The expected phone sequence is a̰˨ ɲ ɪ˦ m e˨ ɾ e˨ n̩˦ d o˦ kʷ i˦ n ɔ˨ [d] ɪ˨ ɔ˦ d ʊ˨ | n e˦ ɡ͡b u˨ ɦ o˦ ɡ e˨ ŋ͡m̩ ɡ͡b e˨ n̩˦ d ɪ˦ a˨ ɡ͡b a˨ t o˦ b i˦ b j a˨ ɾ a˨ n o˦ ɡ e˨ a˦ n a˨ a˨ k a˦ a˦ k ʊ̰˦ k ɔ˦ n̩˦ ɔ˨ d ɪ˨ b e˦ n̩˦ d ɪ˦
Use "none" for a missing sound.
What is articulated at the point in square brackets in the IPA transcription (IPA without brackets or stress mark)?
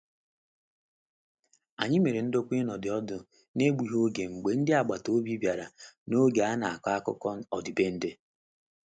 d